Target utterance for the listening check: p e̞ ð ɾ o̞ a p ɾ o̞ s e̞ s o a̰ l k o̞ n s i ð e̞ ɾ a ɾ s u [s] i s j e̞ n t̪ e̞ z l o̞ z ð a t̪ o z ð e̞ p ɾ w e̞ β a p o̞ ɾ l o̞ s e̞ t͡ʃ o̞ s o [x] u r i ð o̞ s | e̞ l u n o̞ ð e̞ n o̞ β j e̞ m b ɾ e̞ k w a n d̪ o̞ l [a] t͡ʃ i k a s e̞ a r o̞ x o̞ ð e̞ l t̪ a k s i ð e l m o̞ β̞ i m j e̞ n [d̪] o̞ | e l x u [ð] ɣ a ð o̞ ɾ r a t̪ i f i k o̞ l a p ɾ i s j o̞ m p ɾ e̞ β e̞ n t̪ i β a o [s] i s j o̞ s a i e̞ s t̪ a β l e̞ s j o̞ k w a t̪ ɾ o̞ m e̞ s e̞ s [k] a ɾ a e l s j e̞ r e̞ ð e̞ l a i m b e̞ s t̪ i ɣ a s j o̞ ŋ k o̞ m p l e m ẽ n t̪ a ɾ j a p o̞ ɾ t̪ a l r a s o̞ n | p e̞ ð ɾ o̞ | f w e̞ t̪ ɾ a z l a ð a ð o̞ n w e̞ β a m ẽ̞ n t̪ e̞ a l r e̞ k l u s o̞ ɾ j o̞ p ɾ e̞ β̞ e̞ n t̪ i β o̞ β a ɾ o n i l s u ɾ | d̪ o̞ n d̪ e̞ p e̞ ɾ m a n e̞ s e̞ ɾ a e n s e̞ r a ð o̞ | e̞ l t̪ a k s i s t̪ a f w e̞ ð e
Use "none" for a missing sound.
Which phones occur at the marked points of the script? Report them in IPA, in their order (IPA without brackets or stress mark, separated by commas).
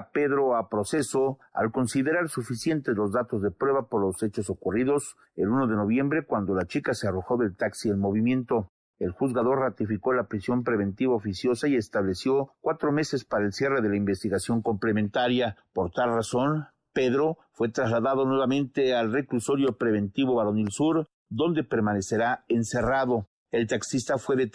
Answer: f, k, a, t̪, z, f, p